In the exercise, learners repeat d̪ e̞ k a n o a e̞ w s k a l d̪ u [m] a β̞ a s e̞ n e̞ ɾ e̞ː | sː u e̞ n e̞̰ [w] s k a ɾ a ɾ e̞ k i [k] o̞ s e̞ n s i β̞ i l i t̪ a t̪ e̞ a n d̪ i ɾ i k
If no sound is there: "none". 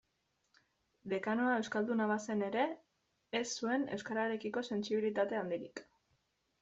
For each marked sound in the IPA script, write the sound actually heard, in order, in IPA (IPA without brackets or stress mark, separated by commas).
n, w, k